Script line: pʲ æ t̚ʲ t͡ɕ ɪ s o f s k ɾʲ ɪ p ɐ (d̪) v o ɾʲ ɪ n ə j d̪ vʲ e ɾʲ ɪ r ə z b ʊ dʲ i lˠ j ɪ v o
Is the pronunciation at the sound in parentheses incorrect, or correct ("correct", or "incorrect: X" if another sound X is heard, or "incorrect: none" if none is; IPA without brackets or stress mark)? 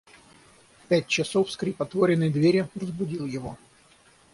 incorrect: t̪